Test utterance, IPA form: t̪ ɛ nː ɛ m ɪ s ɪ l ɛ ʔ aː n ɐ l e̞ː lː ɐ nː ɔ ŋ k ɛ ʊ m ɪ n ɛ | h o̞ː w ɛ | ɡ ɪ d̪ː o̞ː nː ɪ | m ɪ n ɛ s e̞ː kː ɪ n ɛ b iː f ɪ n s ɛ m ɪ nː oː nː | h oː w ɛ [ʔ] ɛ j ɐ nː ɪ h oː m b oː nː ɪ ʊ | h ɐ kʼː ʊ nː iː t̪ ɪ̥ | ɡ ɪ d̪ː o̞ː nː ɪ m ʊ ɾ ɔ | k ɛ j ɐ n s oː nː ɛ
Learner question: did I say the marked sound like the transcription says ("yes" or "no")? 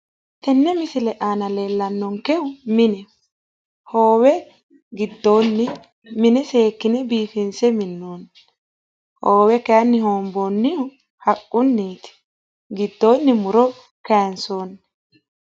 no